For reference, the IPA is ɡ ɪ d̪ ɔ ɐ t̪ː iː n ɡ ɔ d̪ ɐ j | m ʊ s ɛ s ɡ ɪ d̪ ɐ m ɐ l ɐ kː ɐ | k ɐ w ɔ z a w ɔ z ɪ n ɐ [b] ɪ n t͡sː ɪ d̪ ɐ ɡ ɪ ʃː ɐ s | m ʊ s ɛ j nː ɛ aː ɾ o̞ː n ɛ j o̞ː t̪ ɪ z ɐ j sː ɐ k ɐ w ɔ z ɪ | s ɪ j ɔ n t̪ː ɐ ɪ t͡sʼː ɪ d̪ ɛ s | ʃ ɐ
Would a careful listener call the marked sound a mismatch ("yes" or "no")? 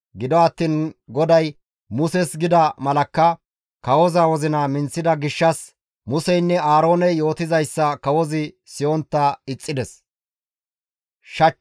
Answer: yes